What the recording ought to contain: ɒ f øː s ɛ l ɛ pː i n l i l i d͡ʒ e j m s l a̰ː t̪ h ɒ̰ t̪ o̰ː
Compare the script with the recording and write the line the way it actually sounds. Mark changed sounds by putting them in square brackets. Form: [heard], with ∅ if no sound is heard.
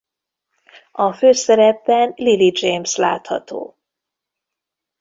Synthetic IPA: ɒ f øː s ɛ [ɾ] ɛ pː [ɛ] n l i l i d͡ʒ e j m s l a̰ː t̪ h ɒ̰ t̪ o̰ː